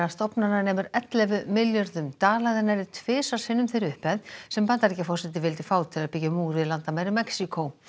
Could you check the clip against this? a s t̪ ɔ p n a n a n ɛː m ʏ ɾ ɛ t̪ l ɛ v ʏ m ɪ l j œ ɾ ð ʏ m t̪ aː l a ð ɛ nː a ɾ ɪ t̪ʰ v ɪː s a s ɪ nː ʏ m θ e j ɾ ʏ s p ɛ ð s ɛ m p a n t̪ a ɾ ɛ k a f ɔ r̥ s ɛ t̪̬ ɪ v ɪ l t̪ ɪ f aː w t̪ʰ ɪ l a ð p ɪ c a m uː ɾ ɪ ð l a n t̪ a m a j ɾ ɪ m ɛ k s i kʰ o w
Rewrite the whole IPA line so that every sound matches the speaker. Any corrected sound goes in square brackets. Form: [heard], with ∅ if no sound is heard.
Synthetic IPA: a s t̪ ɔ p n a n a n ɛː m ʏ ɾ ɛ t̪ l ɛ v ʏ m ɪ l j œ ɾ ð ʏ m t̪ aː l a ð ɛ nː a ɾ ɪ t̪ʰ v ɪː s a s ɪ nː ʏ m θ e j ɾ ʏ [h] p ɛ ð s ɛ m p a n t̪ a ɾ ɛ [c] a f ɔ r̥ s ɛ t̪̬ ɪ v ɪ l t̪ ɪ f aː w t̪ʰ ɪ l a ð p ɪ c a m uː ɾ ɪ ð l a n t̪ a m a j ɾ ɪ m ɛ k s i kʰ o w